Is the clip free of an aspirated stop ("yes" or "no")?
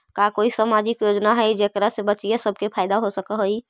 no